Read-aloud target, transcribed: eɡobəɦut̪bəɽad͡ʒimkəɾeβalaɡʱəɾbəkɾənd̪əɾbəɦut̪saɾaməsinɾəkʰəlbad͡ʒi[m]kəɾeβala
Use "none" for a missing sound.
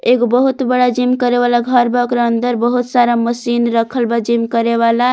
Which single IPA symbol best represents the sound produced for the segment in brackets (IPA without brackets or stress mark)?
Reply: m